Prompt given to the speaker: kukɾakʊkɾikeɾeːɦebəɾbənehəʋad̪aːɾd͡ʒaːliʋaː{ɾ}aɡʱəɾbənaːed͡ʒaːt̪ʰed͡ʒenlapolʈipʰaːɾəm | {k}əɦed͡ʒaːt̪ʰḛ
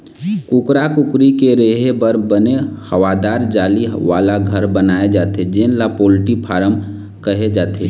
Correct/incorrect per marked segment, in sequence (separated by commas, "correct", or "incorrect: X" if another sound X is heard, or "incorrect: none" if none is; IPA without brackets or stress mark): incorrect: l, correct